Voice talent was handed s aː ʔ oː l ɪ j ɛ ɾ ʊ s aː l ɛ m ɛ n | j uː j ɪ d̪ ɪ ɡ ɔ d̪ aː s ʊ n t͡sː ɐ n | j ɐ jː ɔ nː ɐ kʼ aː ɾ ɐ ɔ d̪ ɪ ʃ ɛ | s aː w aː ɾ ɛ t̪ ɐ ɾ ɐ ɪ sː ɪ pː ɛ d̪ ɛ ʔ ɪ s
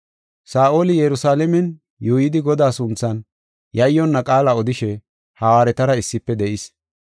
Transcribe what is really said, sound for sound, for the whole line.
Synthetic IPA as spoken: s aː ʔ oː l ɪ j ɛ ɾ ʊ s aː l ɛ m ɛ n | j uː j ɪ d̪ ɪ ɡ ɔ d̪ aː s ʊ n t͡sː ɐ n | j ɐ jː ɔ nː ɐ kʼ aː l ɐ ɔ d̪ ɪ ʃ ɛ | h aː w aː ɾ ɛ t̪ ɐ ɾ ɐ ɪ sː ɪ pː ɛ d̪ ɛ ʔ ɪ s